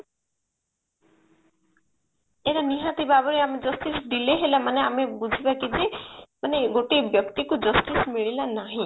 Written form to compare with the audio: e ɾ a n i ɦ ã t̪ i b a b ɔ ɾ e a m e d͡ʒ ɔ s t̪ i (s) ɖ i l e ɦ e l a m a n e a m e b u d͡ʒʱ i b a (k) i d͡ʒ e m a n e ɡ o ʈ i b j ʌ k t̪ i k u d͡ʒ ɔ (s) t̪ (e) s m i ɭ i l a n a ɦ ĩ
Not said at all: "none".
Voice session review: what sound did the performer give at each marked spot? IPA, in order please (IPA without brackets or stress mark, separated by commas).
s, k, s, i